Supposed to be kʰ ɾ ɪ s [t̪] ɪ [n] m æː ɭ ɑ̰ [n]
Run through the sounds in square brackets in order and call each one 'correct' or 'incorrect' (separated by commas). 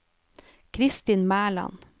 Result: correct, correct, correct